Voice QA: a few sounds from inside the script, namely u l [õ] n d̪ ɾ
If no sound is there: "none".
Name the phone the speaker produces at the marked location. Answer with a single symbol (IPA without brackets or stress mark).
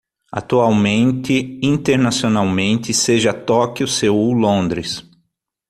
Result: õ